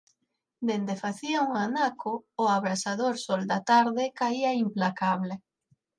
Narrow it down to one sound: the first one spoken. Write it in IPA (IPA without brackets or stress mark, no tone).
d̪